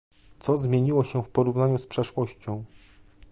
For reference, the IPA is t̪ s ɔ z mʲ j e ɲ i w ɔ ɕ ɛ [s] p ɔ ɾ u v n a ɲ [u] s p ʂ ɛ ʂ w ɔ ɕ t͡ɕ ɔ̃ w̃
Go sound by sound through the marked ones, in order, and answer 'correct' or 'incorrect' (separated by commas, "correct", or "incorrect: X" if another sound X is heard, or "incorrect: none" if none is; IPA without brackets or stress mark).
incorrect: f, correct